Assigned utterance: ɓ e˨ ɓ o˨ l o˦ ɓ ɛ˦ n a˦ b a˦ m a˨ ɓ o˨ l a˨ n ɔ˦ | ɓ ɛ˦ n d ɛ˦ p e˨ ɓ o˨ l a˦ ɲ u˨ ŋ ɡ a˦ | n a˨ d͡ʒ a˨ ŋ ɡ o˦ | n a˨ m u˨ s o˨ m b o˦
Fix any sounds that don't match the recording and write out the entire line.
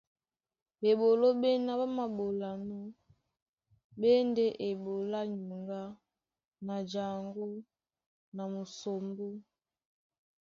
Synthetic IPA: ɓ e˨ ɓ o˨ l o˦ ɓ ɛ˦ n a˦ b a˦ m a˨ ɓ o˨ l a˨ n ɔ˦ | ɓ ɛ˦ n d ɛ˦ ʔ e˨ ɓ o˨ l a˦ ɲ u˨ ŋ ɡ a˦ | n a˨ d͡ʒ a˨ ŋ ɡ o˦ | n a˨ m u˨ s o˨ m b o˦